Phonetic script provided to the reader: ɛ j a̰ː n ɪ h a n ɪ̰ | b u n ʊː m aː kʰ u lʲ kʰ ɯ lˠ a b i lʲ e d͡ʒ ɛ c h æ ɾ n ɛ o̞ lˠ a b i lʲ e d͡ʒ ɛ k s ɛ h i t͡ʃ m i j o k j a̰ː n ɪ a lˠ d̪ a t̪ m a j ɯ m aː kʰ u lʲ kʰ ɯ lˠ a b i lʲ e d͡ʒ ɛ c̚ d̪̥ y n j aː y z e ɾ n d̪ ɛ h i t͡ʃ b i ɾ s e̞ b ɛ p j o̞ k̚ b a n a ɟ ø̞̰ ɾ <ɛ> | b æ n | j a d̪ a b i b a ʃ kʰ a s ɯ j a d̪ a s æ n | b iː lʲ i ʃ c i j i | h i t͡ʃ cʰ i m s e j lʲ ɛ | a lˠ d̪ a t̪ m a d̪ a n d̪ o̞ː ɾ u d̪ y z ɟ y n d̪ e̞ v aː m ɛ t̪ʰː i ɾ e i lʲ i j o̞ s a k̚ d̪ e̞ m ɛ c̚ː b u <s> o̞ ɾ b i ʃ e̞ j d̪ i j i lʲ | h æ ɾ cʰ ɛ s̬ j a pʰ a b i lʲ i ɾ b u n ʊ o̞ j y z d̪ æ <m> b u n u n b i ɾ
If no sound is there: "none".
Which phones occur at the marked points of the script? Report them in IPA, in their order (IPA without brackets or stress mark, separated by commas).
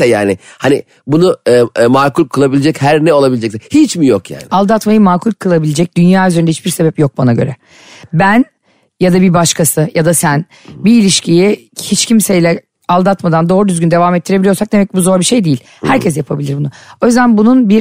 ɛ, z, n